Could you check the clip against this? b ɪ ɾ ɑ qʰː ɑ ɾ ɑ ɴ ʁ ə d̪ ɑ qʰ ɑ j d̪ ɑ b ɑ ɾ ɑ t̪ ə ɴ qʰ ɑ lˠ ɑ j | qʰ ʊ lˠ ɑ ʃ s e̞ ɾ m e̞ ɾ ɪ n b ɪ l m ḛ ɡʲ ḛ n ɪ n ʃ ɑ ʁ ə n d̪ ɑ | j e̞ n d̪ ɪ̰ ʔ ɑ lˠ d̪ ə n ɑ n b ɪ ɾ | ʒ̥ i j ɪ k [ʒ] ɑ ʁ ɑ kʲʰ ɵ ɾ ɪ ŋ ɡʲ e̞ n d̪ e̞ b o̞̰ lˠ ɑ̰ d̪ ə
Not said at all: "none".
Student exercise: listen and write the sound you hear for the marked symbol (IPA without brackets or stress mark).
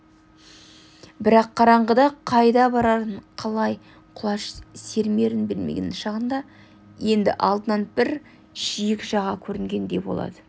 ʒ